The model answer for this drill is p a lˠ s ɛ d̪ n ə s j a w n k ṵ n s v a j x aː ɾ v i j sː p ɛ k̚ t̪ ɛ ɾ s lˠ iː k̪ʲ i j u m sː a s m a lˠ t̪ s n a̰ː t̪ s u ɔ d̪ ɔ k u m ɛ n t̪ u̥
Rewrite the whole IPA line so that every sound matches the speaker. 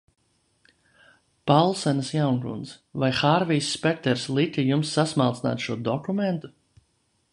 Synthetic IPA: p a lˠ s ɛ n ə s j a w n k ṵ n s v a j x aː ɾ v i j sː p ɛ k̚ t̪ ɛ ɾ s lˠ i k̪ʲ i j u m sː a s m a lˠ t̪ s n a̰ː t̪ ʃ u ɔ d̪ ɔ k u m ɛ n t̪ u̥